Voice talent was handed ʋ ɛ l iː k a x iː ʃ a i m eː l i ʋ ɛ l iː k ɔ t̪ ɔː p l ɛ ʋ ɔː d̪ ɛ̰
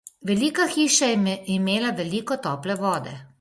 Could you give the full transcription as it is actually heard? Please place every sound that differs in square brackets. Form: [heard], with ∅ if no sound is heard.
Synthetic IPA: ʋ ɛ l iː k a x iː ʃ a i m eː l [a] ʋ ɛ l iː k ɔ t̪ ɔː p l ɛ ʋ ɔː d̪ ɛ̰